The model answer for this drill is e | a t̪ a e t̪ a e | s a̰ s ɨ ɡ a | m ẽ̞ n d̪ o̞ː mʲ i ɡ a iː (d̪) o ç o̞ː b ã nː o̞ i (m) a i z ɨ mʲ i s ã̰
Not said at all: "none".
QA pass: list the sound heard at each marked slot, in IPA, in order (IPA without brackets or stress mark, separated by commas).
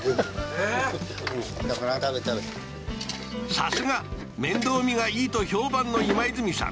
t̪, m